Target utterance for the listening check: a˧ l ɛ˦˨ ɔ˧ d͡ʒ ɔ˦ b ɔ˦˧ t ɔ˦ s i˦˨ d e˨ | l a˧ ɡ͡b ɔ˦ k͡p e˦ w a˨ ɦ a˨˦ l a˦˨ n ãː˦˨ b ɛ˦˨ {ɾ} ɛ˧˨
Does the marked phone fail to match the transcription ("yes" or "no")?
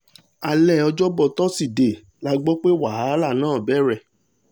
no